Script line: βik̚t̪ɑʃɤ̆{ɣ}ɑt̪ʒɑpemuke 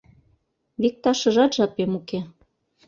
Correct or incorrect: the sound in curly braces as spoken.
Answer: incorrect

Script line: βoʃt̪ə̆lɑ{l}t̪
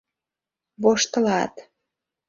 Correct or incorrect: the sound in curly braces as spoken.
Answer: incorrect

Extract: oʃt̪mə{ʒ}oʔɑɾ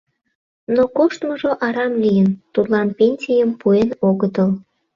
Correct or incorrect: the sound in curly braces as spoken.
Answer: correct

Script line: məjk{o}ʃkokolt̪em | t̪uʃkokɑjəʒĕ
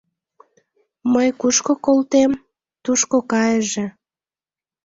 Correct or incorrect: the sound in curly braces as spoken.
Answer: incorrect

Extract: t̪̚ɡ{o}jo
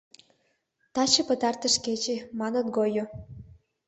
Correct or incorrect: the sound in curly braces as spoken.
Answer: correct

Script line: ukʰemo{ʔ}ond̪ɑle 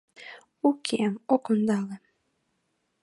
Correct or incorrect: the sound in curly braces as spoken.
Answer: incorrect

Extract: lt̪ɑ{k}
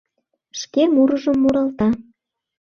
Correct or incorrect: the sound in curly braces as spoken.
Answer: incorrect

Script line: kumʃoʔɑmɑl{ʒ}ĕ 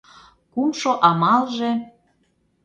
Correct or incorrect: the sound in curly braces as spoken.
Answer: correct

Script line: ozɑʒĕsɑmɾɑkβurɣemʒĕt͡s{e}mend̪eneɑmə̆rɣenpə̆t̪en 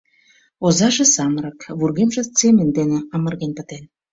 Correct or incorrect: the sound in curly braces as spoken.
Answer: correct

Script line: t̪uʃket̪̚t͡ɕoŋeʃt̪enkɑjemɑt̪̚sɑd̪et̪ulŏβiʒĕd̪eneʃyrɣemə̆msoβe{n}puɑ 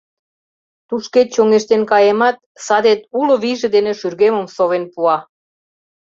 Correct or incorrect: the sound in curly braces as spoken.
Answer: correct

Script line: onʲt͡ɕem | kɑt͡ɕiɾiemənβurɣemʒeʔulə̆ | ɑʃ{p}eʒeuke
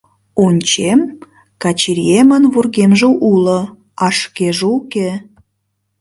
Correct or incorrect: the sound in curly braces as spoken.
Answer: incorrect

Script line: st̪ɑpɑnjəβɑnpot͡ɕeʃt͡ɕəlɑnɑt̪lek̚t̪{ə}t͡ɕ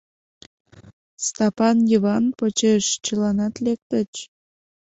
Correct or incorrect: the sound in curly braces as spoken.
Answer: correct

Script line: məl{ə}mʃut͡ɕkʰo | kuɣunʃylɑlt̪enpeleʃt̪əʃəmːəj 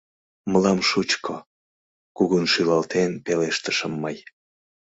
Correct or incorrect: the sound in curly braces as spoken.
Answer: incorrect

